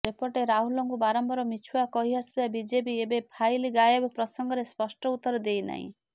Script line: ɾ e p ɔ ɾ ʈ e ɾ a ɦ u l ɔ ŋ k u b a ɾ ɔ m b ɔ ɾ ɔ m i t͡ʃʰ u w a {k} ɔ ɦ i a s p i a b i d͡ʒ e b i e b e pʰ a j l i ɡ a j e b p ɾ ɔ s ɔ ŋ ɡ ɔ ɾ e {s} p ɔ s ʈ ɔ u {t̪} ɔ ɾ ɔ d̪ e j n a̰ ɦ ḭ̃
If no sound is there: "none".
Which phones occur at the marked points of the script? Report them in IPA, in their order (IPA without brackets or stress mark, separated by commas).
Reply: k, s, t̪